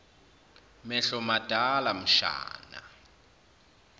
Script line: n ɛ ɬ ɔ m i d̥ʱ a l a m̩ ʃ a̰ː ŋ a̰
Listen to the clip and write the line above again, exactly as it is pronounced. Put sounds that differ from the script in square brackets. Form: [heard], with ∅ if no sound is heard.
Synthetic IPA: [m] ɛ ɬ ɔ m [a] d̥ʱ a l a m̩ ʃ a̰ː [n] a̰